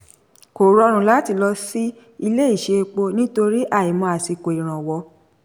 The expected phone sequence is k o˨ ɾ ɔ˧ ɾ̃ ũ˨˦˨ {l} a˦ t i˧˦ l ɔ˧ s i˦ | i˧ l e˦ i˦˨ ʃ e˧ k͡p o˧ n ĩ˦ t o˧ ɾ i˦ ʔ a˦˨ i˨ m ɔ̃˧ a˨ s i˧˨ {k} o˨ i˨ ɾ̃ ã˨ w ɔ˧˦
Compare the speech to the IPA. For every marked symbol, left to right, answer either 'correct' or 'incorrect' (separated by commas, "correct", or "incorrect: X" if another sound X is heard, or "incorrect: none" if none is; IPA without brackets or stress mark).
correct, correct